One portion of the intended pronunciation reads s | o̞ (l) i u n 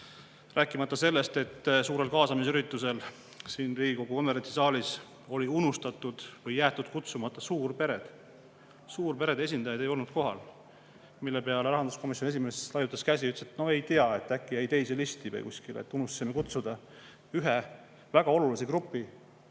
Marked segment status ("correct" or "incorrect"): correct